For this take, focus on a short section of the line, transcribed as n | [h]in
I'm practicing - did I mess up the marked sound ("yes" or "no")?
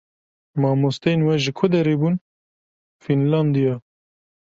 yes